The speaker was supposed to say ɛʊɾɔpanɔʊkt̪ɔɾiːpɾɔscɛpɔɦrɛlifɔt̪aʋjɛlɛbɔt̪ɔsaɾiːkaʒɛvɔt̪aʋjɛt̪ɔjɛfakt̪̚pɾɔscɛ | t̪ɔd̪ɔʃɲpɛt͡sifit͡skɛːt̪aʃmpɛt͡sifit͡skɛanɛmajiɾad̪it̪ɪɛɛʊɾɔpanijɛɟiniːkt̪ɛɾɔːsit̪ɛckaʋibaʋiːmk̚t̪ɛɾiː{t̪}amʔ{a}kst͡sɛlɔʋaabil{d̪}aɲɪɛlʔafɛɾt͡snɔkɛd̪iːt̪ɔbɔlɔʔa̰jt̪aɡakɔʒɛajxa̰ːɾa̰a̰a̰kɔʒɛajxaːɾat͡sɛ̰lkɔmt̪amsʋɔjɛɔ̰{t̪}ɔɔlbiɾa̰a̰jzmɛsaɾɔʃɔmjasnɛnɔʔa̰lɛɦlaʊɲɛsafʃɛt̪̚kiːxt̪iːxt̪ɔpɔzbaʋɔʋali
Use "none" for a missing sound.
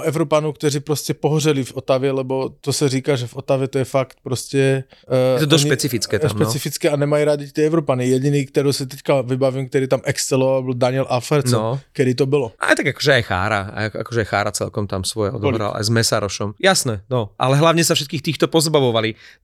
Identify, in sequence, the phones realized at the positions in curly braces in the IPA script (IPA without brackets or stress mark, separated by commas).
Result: t̪, ɛ, d̪, d̪